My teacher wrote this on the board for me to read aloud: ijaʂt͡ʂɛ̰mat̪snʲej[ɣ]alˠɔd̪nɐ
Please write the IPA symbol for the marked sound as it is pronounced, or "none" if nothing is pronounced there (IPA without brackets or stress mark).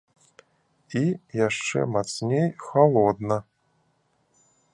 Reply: x